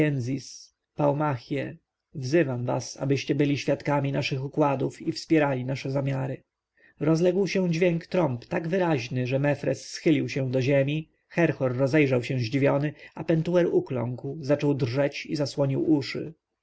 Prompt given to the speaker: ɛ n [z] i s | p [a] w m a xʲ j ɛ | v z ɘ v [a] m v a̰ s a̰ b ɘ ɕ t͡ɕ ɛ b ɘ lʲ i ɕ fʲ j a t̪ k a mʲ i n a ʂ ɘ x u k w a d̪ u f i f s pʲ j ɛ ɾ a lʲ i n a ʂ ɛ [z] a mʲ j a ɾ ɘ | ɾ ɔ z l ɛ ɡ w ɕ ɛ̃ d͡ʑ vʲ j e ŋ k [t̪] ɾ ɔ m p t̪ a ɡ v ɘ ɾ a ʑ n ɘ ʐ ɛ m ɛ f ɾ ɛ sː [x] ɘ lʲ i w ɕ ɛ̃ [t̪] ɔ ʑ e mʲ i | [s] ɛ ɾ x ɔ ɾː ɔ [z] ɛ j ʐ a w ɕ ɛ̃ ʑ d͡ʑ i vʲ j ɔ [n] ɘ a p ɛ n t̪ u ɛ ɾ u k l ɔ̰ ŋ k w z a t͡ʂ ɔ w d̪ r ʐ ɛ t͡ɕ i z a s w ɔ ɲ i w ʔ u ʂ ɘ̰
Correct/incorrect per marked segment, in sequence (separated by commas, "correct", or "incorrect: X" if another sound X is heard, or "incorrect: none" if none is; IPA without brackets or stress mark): correct, correct, correct, correct, correct, correct, incorrect: d̪, incorrect: x, correct, correct